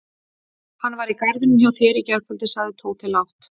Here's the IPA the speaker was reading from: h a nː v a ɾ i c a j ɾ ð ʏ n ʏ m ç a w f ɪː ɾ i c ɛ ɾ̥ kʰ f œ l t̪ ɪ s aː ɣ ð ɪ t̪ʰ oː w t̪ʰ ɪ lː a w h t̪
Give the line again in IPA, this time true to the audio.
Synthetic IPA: h a nː v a ɾ i k a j ɾ ð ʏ n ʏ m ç a w θ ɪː ɾ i c ɛ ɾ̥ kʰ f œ l t̪ ɪ s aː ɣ ð ɪ t̪ʰ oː w t̪ʰ ɪ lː a w h t̪